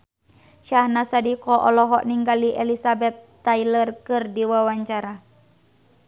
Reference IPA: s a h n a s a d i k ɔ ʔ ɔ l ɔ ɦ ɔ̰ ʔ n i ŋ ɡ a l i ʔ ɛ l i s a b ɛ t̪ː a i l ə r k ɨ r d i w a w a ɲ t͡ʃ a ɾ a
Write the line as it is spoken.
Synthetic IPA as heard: ʃ a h n a s a d i k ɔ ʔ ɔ l ɔ ɦ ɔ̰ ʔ n i ŋ ɡ a l i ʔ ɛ l i s a b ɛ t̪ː a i l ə r k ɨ r d i w a w a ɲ t͡ʃ a ɾ a